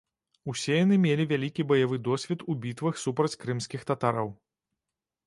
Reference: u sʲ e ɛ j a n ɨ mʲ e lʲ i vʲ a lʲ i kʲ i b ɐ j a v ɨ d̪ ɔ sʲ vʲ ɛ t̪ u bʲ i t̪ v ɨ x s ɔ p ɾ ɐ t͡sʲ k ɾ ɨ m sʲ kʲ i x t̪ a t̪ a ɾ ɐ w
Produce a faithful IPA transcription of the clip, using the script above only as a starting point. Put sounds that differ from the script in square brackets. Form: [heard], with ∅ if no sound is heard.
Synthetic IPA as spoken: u sʲ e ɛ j a n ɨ mʲ e lʲ i vʲ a lʲ i kʲ i b ɐ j a v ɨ d̪ ɔ sʲ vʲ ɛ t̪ u bʲ i t̪ v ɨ x s [u] p ɾ ɐ t͡sʲ k ɾ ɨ m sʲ kʲ i x t̪ a t̪ a ɾ ɐ w